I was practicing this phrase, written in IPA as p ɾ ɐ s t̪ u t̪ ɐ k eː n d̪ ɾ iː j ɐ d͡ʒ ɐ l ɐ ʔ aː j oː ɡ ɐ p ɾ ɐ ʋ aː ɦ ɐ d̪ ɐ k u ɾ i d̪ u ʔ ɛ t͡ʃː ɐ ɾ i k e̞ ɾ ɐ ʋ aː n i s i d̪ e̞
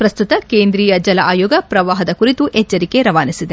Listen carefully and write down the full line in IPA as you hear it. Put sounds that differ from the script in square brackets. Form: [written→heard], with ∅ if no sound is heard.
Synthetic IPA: p ɾ ɐ s t̪ u t̪ ɐ k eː n d̪ ɾ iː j ɐ d͡ʒ ɐ l ɐ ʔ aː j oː ɡ ɐ p ɾ ɐ ʋ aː ɦ ɐ d̪ ɐ k u ɾ i [d̪→t̪] u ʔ ɛ t͡ʃː ɐ ɾ i k e̞ ɾ ɐ ʋ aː n i s i d̪ e̞